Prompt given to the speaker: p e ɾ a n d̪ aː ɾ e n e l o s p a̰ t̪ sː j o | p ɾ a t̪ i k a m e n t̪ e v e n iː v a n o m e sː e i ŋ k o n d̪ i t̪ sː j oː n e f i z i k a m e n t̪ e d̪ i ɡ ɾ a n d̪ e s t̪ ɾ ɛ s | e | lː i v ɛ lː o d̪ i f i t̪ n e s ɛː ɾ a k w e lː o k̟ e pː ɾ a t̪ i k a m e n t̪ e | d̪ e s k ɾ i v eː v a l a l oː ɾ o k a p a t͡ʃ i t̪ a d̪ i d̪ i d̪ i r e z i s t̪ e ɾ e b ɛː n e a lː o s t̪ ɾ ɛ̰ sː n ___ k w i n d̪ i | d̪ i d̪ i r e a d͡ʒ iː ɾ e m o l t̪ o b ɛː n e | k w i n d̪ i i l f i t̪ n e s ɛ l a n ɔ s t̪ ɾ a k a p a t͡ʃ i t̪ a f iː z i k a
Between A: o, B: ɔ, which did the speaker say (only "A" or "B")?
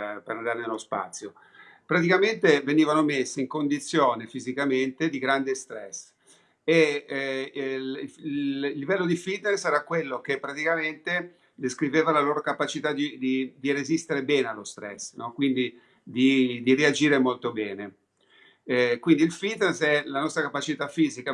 B